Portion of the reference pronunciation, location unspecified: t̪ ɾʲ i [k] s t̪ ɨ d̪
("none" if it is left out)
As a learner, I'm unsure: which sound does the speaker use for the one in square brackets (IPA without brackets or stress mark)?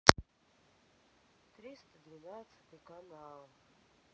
none